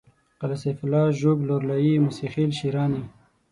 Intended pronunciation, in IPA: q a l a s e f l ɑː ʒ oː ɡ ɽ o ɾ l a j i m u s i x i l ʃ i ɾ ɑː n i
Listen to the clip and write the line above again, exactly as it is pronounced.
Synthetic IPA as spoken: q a l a s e f l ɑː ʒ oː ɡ l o ɾ l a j i m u s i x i l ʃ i ɾ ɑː n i

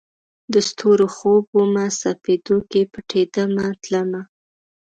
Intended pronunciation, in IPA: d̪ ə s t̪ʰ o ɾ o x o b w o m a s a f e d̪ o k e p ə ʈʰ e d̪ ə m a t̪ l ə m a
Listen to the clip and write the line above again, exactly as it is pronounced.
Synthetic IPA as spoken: d̪ ə s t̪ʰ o ɾ o x o b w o m a s a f e d̪ o k e p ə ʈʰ e d̪ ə m a t̪ l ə m a

